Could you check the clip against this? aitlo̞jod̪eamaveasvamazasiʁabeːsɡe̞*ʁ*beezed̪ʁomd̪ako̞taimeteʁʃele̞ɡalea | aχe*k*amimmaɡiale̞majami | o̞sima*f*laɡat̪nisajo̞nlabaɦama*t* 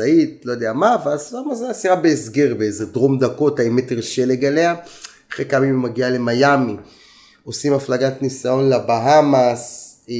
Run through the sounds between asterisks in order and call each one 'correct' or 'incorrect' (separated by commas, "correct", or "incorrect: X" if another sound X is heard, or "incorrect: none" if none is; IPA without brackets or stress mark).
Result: correct, correct, correct, incorrect: s